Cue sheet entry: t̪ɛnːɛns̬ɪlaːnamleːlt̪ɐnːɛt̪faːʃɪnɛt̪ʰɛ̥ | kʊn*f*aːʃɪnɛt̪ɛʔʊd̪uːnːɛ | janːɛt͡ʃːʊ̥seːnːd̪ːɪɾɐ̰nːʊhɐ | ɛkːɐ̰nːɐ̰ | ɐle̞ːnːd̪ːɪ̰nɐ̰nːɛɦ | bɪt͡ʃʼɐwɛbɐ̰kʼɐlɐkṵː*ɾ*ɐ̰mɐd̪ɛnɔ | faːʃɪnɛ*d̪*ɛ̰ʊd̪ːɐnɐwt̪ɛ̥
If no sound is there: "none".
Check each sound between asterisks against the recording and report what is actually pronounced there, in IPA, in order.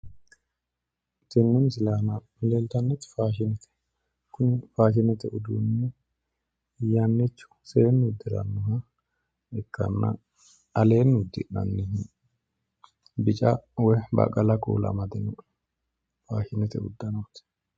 f, l, t̪

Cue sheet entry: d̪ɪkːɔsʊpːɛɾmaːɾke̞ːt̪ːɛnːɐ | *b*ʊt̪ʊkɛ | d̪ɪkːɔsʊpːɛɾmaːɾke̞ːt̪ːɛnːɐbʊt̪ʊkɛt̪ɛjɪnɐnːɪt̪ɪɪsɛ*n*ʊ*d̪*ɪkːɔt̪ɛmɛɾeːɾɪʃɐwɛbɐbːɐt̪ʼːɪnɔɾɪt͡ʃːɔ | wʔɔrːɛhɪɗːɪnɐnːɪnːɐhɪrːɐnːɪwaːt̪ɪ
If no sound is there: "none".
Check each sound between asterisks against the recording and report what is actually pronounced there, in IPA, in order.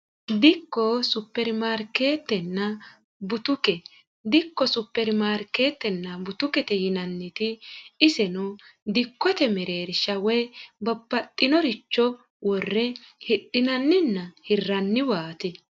b, n, d̪

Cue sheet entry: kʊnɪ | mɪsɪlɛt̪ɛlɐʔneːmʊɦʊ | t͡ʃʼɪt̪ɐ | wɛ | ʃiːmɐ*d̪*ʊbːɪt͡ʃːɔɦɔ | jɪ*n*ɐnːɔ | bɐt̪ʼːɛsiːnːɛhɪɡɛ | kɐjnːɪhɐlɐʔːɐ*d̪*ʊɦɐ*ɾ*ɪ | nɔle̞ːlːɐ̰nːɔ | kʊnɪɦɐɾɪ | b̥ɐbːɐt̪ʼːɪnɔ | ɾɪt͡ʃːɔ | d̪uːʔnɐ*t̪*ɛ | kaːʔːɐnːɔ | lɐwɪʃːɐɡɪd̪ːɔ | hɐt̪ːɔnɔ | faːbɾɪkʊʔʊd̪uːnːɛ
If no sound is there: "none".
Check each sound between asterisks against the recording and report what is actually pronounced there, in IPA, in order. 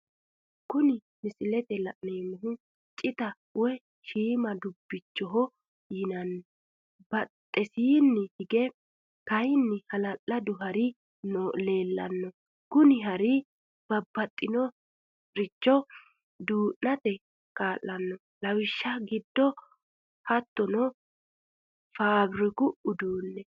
d̪, n, d̪, ɾ, t̪

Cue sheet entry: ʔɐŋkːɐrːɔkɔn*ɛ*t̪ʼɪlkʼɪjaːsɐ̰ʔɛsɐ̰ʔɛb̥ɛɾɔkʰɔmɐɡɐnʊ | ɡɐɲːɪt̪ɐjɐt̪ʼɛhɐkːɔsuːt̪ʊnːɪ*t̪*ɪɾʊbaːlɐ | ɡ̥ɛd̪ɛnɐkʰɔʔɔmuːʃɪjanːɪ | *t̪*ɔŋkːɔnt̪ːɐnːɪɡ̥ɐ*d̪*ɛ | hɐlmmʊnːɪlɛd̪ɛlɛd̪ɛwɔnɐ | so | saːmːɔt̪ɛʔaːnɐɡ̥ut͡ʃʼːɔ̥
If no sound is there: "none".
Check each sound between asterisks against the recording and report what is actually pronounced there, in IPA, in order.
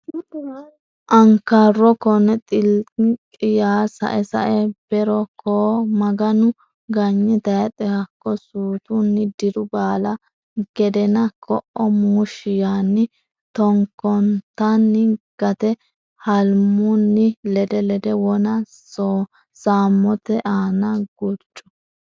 ɛ, d̪, t̪, t̪

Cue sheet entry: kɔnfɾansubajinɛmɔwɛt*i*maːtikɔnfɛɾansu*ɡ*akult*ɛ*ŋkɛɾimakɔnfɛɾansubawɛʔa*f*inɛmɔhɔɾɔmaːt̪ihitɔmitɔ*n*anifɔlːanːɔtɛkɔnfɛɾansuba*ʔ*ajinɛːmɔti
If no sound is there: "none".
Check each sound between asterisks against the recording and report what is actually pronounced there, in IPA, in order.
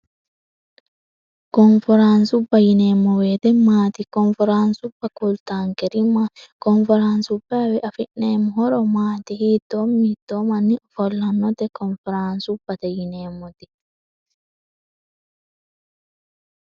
ɛ, b, a, f, m, t

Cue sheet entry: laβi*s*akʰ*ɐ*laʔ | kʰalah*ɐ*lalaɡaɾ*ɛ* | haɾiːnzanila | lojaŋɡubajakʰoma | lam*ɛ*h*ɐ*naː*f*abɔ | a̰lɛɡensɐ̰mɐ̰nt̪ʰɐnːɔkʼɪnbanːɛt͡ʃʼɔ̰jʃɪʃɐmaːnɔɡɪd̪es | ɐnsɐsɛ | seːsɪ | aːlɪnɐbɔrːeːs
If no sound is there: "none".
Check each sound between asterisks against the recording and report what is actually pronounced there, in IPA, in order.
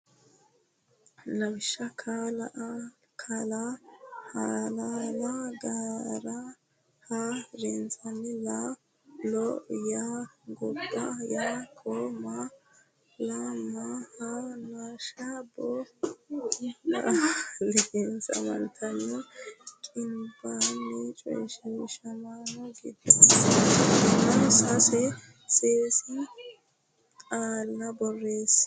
ʃ, a, a, a, a, a, ʃ

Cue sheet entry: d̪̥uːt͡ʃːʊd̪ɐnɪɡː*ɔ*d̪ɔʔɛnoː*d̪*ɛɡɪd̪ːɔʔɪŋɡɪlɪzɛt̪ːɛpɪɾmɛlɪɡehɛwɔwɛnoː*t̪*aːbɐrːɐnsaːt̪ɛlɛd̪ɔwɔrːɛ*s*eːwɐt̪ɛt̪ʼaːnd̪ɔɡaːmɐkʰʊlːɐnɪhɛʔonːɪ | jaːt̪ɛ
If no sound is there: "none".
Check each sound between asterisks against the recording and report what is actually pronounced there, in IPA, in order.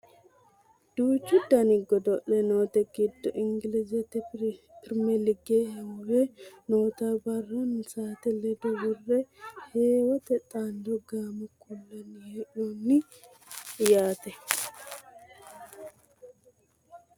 ɔ, t̪, t̪, h

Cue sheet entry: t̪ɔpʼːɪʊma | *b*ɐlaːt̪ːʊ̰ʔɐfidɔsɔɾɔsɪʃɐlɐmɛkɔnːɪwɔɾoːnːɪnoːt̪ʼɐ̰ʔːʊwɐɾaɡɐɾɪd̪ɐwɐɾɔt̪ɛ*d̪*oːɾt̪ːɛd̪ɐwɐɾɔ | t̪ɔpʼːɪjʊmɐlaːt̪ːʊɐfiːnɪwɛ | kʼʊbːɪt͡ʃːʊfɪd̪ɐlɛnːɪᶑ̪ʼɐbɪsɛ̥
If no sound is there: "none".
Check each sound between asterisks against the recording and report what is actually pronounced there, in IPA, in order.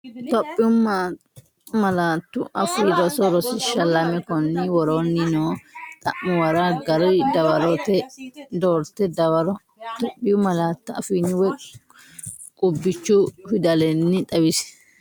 m, d̪

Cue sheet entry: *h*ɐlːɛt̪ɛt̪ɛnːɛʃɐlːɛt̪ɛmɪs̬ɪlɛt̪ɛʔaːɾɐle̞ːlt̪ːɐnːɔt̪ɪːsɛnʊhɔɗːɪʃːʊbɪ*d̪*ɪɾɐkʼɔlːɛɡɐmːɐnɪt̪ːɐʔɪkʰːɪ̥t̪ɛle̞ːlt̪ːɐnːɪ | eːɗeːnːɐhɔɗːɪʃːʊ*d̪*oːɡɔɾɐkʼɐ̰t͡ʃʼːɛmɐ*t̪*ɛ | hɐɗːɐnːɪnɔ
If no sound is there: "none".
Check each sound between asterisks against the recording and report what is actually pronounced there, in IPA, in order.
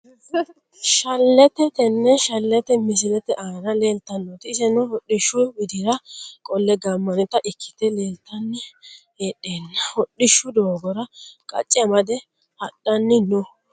ʃ, d̪, d̪, d̪

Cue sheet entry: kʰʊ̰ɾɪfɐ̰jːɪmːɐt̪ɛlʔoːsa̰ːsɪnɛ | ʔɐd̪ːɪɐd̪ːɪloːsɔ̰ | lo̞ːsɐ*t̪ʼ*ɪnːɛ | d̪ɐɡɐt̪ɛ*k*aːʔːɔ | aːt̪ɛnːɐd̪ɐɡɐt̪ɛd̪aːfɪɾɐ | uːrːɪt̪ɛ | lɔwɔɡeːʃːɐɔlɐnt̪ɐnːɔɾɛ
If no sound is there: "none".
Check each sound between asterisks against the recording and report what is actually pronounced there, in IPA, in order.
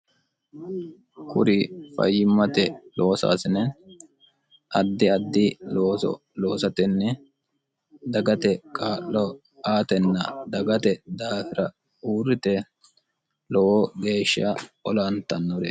t̪, kʼ

